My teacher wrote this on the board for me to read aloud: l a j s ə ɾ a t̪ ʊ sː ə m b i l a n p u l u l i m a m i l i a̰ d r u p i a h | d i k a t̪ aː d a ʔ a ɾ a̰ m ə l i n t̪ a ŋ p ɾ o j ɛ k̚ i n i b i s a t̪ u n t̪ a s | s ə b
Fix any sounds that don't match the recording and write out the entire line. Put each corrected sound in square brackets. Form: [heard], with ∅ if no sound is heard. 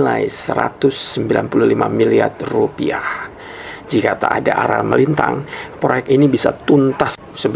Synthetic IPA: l a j s ə ɾ a t̪ ʊ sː ə m b i l a n p u l u l i m a m i l i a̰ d r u p i a h | [d͡ʒ] i k a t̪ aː d a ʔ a ɾ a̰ m ə l i n t̪ a ŋ p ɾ o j ɛ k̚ i n i b i s a t̪ u n t̪ a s | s ə b